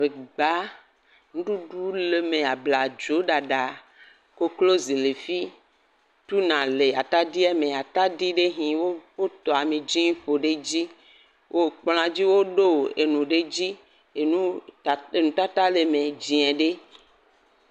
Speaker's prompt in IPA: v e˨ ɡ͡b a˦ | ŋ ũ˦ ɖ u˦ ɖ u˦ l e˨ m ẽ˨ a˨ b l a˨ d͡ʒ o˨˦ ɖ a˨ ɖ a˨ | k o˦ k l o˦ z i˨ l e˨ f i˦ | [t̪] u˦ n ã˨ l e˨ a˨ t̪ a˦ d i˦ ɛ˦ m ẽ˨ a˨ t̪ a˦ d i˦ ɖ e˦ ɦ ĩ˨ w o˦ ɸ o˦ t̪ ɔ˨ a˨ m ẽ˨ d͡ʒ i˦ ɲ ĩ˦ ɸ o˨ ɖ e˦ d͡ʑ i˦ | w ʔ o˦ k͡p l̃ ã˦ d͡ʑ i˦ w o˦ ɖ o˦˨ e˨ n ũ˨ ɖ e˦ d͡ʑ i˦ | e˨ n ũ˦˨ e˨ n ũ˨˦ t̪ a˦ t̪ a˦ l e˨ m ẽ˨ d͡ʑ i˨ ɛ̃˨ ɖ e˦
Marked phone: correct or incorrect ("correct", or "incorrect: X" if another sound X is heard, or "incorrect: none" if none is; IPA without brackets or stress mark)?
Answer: correct